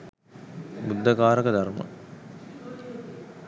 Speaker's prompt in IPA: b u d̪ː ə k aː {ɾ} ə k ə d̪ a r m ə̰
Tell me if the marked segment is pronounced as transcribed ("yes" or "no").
yes